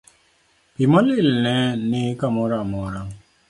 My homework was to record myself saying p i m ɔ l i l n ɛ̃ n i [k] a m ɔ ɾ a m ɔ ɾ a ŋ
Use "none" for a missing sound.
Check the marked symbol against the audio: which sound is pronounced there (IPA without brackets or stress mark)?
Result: k